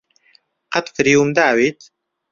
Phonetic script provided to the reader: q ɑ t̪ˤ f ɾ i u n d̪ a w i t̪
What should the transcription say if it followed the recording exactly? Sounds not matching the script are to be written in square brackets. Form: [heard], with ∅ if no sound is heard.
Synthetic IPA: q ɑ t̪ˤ f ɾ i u [m] d̪ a w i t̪